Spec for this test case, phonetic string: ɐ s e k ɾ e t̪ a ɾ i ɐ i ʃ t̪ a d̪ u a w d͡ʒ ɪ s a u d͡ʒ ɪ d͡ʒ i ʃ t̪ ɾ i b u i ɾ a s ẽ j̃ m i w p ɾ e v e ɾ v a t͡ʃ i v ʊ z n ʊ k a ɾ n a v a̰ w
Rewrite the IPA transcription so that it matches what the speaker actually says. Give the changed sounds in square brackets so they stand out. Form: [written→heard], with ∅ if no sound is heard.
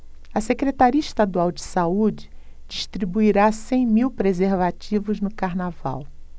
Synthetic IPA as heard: ɐ s e k ɾ e t̪ a ɾ i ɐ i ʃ t̪ a d̪ u a w d͡ʒ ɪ s a u d͡ʒ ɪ d͡ʒ i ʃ t̪ ɾ i b u i ɾ a s ẽ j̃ m i w p ɾ e [v→z] e ɾ v a t͡ʃ i v ʊ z n ʊ k a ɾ n a v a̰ w